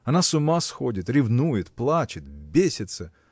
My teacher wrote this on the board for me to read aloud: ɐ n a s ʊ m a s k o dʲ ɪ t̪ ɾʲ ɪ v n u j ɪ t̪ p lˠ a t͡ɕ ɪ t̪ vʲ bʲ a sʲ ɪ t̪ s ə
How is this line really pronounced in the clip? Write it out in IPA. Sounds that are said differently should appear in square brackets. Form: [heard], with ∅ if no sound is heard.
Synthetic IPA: ɐ n a s ʊ m a s [x] o dʲ ɪ t̪ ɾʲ ɪ v n u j ɪ t̪ p lˠ a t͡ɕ ɪ t̪ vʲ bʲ [e] sʲ ɪ t̪ s ə